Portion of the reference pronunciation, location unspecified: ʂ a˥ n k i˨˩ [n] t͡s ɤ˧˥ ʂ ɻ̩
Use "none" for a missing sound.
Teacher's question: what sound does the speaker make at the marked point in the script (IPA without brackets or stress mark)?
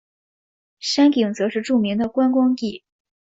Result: ŋ